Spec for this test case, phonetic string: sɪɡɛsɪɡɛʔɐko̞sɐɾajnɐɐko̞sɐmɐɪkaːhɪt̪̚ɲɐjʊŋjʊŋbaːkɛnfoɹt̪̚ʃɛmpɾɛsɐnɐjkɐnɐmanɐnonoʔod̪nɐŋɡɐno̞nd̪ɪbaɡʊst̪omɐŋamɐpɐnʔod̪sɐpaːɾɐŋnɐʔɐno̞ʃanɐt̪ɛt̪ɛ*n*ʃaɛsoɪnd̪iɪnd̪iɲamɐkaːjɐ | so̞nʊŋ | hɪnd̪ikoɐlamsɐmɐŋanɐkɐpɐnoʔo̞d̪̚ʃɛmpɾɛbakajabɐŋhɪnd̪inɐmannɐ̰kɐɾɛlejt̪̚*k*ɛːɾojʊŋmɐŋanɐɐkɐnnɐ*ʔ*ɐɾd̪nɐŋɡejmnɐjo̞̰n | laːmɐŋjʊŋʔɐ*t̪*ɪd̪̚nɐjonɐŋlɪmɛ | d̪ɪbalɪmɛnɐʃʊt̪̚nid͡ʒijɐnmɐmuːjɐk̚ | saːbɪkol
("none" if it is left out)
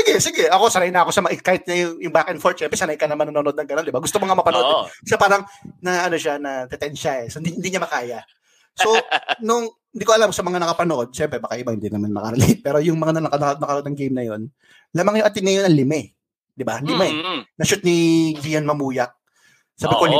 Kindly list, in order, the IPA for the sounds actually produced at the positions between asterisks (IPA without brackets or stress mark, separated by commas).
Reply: n, p, k, t̪